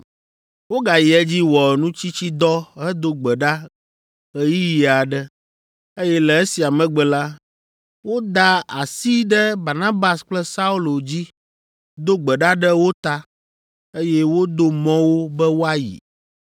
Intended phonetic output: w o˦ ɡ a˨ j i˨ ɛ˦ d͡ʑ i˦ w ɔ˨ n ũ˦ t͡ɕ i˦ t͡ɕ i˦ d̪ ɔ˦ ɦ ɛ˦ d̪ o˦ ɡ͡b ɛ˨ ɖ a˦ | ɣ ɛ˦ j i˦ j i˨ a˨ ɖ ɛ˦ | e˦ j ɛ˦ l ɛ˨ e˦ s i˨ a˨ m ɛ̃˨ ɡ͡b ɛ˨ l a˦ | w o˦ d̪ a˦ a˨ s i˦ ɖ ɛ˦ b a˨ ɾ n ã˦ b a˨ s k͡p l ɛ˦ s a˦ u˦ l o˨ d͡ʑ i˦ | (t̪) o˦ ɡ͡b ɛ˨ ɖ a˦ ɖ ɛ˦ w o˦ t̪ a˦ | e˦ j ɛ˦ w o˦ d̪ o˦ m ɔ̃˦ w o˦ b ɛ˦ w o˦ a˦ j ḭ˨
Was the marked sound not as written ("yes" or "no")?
yes